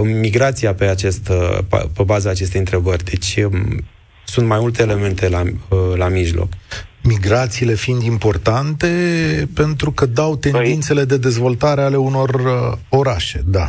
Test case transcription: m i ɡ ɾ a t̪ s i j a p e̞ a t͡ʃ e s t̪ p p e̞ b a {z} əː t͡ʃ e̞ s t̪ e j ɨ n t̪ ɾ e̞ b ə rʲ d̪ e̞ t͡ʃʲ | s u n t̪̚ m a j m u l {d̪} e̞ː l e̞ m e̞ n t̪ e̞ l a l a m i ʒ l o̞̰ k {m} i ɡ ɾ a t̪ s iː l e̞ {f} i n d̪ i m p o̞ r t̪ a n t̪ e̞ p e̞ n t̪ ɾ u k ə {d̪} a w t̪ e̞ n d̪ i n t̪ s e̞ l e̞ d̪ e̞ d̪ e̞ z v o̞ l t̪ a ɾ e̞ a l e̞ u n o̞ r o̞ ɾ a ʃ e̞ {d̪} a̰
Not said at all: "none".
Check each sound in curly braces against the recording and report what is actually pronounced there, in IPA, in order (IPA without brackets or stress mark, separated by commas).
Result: z, t̪, m, f, d̪, d̪